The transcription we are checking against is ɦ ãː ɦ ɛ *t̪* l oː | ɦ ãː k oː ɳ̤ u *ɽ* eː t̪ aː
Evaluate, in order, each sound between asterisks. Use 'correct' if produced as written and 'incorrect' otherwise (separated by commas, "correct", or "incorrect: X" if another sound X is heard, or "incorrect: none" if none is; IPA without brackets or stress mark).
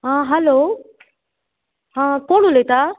incorrect: none, incorrect: l